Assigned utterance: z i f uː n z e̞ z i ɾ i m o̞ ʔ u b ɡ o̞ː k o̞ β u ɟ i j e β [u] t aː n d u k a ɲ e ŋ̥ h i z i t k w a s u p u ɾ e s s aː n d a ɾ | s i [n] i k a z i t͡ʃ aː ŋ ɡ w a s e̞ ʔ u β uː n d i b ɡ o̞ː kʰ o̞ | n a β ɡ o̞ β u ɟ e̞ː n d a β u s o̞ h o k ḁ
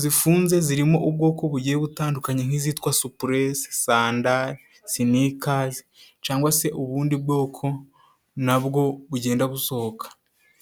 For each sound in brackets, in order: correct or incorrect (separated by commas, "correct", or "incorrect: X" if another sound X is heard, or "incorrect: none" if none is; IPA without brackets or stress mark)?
correct, correct